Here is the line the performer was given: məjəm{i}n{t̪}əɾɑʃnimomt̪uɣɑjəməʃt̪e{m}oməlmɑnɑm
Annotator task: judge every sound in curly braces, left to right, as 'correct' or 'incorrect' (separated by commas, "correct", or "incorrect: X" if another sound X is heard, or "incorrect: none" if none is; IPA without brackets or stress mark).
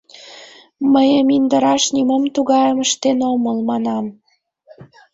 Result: correct, incorrect: d̪, incorrect: n